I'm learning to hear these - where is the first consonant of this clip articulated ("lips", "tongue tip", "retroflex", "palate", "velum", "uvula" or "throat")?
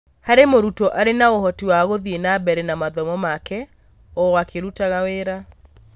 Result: throat